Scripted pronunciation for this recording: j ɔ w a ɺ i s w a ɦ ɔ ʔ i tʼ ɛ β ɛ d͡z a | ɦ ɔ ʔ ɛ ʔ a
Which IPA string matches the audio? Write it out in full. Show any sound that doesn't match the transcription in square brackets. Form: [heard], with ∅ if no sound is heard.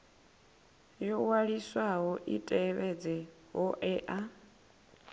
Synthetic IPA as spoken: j ɔ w a ɺ i s w a ɦ ɔ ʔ i tʼ ɛ β ɛ d͡z [ɛ] | ɦ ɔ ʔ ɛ ʔ a